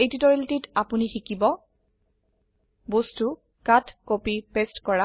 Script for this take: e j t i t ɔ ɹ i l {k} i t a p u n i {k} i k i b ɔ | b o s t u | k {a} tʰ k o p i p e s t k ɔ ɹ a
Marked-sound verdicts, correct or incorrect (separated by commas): incorrect, incorrect, correct